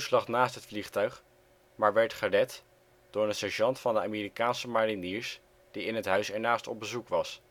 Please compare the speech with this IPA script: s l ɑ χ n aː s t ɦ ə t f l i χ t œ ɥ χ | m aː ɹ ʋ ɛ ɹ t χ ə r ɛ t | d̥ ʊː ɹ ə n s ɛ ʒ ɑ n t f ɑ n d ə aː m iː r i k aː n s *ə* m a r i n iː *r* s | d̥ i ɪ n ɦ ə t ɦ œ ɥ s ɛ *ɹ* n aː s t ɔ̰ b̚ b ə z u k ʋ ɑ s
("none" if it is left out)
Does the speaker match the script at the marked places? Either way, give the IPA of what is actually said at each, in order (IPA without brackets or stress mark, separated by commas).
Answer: ə, ɹ, ɹ